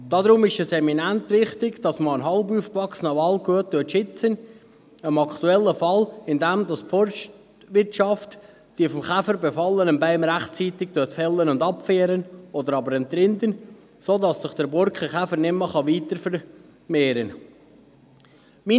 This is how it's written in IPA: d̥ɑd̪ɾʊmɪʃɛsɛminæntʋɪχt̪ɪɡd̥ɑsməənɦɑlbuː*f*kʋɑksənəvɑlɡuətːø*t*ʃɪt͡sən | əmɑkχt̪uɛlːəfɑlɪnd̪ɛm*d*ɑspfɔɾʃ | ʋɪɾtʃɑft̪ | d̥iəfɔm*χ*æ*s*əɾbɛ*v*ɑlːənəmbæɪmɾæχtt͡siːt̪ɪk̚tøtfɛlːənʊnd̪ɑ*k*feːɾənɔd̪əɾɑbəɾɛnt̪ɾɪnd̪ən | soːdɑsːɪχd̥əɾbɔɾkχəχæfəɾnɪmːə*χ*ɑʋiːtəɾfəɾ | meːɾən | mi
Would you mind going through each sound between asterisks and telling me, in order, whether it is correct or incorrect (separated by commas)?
correct, correct, correct, correct, incorrect, incorrect, incorrect, correct